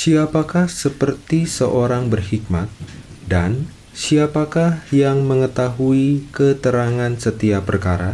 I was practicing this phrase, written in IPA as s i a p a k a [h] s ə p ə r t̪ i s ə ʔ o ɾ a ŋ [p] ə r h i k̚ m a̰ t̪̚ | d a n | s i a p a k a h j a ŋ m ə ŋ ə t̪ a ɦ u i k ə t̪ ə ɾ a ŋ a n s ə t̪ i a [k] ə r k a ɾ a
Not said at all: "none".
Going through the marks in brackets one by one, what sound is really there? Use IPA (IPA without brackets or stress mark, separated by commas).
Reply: h, b, p